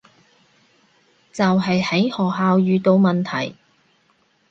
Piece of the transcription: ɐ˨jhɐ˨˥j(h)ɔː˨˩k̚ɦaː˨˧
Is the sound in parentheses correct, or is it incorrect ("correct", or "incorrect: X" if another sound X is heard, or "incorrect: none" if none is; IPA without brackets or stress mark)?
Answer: correct